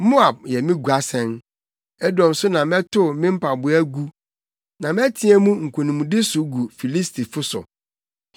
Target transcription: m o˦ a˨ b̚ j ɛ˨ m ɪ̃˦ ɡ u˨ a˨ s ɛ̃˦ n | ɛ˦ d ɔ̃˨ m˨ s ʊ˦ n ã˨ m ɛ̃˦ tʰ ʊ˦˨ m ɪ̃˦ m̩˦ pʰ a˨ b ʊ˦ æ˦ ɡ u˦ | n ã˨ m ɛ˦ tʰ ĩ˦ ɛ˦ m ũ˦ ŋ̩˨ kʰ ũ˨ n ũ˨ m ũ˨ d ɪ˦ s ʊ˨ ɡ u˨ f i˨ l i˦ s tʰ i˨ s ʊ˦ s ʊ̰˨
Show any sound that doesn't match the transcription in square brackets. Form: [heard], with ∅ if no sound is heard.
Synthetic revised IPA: m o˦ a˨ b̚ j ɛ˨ m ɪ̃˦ ɡ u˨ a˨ s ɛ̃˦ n | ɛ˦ d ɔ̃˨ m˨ s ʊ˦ n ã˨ m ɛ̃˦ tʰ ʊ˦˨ m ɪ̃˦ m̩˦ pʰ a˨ b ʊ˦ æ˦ ɡ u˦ | n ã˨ m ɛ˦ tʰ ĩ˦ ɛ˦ m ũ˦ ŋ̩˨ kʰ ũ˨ n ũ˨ m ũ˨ d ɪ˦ s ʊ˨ ɡ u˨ f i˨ l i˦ s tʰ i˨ [f] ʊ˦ s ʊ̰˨